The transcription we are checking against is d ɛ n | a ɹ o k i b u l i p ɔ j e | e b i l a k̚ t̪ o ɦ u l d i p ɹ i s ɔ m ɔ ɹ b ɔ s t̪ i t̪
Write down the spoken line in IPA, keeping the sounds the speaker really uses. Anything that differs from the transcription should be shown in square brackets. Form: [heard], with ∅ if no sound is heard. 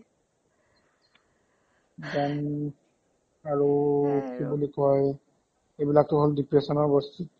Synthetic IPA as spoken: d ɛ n | a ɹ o k i b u l i [k] ɔ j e | e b i l a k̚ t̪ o ɦ [o] l d i p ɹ [e] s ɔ [n] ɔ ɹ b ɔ s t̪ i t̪